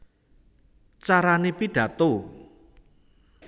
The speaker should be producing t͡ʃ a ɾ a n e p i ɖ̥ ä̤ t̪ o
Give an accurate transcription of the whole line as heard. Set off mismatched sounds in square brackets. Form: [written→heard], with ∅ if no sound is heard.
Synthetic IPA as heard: t͡ʃ a ɾ a n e p i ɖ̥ ä̤ t̪ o

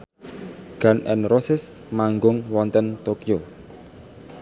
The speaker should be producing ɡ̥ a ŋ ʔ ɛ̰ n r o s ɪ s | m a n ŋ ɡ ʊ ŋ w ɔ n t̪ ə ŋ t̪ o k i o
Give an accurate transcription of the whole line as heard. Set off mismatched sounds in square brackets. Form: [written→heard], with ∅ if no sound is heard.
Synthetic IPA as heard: ɡ̥ a [ŋ→n] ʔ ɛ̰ n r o s ɪ s | m a [n→∅] ŋ ɡ ʊ ŋ w ɔ n t̪ ə [ŋ→n] t̪ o k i o

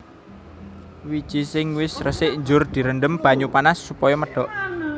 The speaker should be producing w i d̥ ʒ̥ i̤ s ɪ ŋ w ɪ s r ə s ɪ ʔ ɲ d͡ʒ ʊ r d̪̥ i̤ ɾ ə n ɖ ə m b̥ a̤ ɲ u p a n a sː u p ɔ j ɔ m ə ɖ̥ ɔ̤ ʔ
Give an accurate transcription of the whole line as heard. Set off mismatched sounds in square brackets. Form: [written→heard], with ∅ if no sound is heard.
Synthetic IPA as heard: w i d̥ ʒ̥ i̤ s ɪ ŋ w ɪ s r ə s ɪ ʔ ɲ d͡ʒ ʊ r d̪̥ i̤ ɾ ə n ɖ ə m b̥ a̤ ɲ u p a n a sː u p ɔ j ɔ m ə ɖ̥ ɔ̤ ʔ

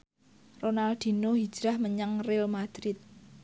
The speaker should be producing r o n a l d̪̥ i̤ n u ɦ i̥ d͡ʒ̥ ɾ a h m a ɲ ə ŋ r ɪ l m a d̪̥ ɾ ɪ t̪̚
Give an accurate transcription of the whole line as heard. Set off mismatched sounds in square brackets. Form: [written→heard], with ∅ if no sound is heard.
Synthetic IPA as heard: r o n a l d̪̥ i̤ n [u→o] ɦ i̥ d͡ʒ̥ ɾ a h m [a→ə] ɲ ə ŋ r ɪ l m a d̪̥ ɾ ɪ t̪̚

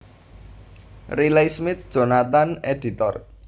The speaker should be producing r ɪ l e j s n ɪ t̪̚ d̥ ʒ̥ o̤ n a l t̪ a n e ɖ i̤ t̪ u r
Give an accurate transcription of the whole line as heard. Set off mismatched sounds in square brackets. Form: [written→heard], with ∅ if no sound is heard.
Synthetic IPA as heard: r [ɪ→i] l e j s [n→m] ɪ t̪̚ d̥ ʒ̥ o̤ n a [l→∅] t̪ a n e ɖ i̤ t̪ [u→ɔ] r

